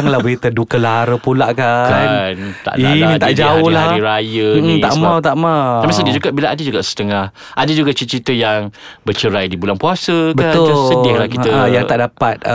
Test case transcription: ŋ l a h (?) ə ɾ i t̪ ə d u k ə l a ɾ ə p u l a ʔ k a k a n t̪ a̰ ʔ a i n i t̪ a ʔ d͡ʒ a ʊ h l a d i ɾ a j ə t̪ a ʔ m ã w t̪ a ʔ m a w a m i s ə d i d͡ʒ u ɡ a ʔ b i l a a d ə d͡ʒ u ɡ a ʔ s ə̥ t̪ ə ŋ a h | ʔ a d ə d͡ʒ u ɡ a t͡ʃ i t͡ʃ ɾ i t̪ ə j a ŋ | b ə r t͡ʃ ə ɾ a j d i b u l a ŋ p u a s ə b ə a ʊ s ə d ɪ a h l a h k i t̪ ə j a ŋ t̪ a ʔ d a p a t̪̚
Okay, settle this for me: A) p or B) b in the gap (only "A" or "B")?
B